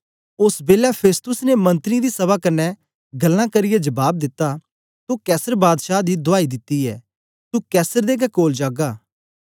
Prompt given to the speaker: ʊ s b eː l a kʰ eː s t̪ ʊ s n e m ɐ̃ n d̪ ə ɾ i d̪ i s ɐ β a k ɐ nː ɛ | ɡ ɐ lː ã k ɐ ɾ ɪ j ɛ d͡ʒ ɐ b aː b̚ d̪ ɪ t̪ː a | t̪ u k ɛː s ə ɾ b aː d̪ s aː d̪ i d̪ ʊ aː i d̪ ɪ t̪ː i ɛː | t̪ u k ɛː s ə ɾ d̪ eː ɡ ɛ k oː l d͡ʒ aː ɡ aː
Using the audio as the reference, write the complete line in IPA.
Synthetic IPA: ʊ s b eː l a pʰ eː s t̪ ʊ s n e m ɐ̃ n t̪ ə ɾ i d̪ i s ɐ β a k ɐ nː ɛ | ɡ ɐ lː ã k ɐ ɾ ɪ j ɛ d͡ʒ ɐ b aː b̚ d̪ ɪ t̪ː a | t̪ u k ɛː s ə ɾ b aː d̪ ʃ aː d̪ i d̪ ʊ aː i d̪ ɪ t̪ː i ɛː | t̪ u k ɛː s ə ɾ d̪ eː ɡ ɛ k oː l d͡ʒ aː ɡ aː